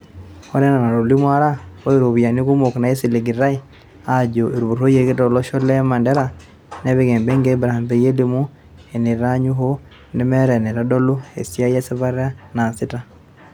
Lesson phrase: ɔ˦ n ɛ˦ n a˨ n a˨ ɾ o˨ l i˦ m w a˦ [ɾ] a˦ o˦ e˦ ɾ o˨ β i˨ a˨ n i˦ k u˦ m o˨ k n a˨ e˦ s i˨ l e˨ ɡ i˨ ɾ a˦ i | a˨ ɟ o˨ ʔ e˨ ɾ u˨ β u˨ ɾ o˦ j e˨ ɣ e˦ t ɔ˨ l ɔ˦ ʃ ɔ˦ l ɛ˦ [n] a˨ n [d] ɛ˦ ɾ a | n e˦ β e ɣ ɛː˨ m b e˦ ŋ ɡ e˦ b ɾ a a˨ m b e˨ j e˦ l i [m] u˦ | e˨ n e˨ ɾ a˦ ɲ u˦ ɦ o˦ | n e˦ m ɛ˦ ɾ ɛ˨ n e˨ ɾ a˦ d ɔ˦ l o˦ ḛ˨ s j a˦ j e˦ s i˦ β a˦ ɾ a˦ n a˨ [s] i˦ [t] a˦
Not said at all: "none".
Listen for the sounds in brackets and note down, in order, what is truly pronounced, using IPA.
ɾ, m, d, m, s, t

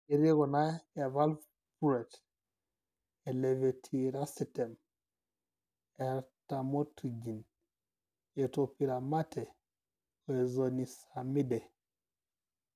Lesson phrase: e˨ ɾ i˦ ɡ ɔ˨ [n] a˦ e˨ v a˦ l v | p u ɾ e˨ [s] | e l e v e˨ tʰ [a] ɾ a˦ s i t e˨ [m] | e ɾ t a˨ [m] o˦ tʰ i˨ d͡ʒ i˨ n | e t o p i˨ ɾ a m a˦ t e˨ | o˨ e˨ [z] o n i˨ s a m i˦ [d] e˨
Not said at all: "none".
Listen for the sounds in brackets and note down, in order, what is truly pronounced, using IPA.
n, t, i, m, m, z, d

